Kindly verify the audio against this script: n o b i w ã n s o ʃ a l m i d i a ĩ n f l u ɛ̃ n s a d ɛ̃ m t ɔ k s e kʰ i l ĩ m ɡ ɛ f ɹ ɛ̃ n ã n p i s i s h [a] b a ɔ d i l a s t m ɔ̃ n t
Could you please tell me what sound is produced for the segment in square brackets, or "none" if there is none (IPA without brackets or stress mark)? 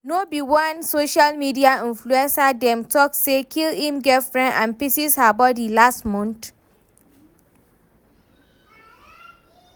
a